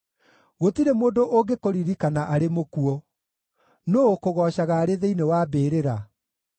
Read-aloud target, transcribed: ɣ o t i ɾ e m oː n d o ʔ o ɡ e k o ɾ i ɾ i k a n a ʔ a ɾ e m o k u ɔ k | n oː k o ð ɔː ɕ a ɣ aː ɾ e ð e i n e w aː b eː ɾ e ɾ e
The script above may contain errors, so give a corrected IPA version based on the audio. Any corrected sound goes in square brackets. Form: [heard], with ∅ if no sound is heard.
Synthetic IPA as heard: ɣ o t i ɾ e m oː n d o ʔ o ɡ e k o ɾ i ɾ i k a n a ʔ a ɾ e m o k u ɔ [∅] | n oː k o [ɣ] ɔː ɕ a ɣ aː ɾ e ð e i n e w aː b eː ɾ e ɾ [a]